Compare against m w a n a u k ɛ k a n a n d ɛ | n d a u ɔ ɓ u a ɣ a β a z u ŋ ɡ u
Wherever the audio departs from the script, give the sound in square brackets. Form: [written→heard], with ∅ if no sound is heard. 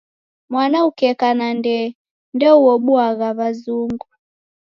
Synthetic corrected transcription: m w a n a u k ɛ k a n a n d ɛ | n d [a→ɛ] u ɔ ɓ u a ɣ a β a z u ŋ ɡ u